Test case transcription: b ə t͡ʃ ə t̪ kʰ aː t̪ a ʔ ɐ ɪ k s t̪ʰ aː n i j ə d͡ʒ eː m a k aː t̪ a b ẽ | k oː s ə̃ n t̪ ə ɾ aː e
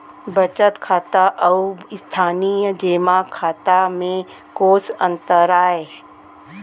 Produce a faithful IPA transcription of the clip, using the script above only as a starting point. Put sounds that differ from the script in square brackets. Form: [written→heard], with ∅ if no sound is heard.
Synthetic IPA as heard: b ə t͡ʃ ə t̪ kʰ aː t̪ a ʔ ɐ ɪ [k→∅] s t̪ʰ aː n i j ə d͡ʒ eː m a [k→kʰ] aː t̪ a [b→m] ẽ | k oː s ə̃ n t̪ ə ɾ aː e